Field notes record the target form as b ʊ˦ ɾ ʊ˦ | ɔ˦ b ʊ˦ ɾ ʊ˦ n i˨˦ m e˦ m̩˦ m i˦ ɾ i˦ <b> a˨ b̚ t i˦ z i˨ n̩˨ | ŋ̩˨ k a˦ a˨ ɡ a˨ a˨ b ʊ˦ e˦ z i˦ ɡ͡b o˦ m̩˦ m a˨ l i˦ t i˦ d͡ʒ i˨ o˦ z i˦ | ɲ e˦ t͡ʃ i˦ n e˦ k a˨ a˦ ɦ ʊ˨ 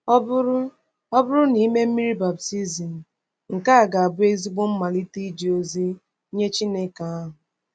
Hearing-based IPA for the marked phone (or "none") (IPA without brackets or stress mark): b